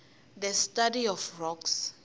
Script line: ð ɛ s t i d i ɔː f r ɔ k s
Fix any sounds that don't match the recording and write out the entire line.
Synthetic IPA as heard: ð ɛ s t a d i ɔ f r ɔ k s